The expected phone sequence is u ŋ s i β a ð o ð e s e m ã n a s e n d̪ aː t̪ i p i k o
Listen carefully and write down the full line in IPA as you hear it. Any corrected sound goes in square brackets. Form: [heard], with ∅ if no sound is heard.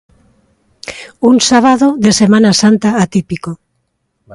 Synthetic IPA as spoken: u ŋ s [a] β a ð o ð e s e m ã n a s [a] n [t̪] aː t̪ i p i k o